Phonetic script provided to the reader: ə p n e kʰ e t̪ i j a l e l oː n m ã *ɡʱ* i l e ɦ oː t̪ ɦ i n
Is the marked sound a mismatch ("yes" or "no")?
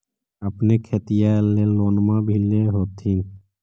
yes